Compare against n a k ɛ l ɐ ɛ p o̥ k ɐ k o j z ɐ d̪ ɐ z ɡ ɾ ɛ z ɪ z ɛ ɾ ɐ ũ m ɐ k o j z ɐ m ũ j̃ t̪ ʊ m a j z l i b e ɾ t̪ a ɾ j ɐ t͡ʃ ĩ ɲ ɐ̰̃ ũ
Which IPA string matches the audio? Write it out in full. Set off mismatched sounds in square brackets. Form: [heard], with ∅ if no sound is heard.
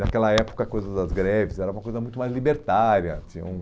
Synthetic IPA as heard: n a k ɛ l ɐ ɛ p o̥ k ɐ k o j z ɐ d̪ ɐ z ɡ ɾ ɛ [v] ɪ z ɛ ɾ ɐ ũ m ɐ k o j z ɐ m ũ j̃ t̪ ʊ m a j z l i b e ɾ t̪ a ɾ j ɐ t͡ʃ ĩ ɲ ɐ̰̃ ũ